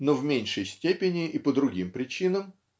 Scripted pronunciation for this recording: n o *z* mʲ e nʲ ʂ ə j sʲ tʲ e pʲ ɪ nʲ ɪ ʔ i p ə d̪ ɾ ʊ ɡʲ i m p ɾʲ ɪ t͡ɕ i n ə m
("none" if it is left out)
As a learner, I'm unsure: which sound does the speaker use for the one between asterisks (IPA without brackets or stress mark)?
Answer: v